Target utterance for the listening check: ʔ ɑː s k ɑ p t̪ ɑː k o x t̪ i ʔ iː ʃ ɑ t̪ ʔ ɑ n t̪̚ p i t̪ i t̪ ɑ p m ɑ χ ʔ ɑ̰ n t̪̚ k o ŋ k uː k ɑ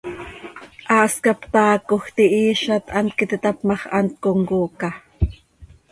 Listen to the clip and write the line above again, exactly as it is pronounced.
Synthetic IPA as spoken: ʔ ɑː s k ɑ p t̪ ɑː k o x t̪ i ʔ iː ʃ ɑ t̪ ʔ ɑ n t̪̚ k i t̪ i t̪ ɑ p m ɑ χ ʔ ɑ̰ n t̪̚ k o ŋ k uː k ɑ